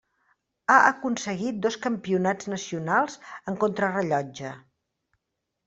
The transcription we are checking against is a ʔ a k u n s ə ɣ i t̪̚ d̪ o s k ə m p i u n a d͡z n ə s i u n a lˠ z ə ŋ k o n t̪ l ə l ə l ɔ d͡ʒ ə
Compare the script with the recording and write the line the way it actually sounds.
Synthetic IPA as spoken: a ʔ ə k u n s ə ɣ i t̪̚ d̪ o s k ə m p i u n a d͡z n ə s i u n a lˠ z ə ŋ k o n t̪ ɾ ə r ə ʎ ɔ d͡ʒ ə